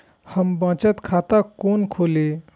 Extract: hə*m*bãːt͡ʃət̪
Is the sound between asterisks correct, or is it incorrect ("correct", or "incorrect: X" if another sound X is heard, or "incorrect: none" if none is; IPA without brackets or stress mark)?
correct